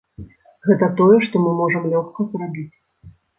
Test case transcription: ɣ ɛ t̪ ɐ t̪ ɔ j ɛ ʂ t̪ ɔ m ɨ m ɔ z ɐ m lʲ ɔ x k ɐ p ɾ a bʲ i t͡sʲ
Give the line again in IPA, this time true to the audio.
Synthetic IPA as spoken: ɣ ɛ t̪ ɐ t̪ ɔ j ɛ ʂ t̪ ɔ m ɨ m ɔ ʐ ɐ m lʲ ɔ x k ɐ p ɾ a bʲ i t͡sʲ